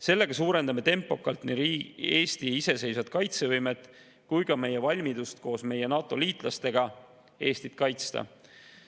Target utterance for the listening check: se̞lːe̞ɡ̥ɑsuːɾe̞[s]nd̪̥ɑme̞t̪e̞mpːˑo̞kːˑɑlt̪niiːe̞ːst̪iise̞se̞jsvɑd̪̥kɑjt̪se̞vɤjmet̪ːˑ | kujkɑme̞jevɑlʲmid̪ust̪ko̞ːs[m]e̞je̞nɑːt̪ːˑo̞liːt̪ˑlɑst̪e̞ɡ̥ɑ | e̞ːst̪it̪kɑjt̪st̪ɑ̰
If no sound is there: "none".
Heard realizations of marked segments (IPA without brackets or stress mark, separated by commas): none, m